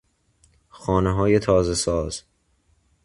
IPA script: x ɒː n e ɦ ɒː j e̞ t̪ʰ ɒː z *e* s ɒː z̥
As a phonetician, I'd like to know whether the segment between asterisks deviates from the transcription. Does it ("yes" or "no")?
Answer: no